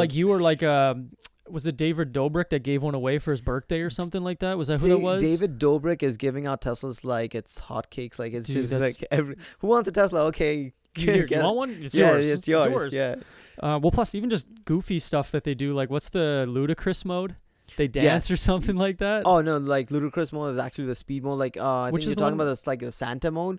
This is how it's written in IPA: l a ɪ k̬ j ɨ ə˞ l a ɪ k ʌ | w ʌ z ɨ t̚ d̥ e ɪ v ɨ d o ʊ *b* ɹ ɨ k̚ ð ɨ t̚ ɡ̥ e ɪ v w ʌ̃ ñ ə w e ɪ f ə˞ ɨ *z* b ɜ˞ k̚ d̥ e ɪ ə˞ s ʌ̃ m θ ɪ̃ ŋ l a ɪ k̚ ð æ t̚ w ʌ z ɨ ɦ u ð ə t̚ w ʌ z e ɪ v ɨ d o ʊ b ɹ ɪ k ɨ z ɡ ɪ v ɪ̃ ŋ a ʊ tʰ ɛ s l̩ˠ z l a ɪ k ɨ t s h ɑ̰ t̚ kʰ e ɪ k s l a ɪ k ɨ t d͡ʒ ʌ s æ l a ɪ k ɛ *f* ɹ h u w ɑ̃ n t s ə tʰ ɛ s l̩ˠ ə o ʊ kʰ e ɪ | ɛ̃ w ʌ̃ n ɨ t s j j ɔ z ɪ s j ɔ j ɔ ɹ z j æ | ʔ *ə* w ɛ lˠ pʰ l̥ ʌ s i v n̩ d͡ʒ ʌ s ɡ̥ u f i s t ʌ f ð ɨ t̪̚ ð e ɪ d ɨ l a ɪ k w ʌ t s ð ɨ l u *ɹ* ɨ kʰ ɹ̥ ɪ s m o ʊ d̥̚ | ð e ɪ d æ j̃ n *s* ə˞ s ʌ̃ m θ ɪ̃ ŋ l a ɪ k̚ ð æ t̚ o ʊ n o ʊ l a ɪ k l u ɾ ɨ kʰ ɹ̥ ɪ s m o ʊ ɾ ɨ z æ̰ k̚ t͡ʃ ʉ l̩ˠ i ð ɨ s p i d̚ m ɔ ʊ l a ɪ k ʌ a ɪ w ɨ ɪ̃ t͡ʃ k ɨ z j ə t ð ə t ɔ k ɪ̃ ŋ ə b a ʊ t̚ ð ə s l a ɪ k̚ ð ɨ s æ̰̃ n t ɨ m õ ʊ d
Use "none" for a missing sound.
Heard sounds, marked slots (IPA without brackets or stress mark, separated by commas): b, z, v, ʌ, ɾ, s